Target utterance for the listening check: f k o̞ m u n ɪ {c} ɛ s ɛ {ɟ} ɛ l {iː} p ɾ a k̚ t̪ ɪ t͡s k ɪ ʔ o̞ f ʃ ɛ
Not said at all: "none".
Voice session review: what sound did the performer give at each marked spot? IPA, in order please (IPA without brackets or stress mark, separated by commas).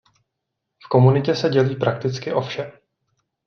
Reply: c, ɟ, iː